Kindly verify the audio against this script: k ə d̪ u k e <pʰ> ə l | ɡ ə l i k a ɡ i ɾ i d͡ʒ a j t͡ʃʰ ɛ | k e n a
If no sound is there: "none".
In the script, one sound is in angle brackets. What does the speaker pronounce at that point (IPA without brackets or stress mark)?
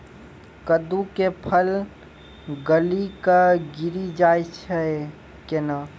pʰ